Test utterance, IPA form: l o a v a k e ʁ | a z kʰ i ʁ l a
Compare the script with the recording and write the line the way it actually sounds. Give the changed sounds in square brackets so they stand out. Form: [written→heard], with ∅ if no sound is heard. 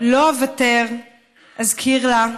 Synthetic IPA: l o a v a [k→t] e ʁ | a z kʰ i ʁ l a